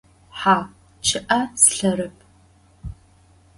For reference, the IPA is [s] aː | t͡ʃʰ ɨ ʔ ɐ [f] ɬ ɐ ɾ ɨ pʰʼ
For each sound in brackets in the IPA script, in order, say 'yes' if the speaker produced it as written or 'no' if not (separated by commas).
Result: no, no